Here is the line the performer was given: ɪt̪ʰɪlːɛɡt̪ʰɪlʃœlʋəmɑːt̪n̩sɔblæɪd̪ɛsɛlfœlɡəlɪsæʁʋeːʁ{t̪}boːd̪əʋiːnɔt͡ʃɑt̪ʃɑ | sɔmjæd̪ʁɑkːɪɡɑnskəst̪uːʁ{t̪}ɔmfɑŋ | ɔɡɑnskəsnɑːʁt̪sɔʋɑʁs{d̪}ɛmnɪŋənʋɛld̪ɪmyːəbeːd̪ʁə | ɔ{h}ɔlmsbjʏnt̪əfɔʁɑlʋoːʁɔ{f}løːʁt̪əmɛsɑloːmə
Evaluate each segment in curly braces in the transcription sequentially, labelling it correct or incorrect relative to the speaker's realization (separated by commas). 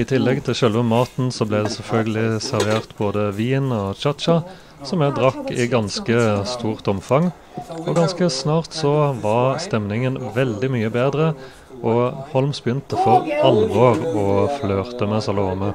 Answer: correct, correct, incorrect, correct, correct